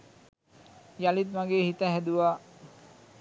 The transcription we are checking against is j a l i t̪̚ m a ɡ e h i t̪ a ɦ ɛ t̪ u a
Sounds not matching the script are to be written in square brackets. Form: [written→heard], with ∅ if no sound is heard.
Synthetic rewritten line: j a l i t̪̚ m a ɡ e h i t̪ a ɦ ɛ [t̪→d̪] u a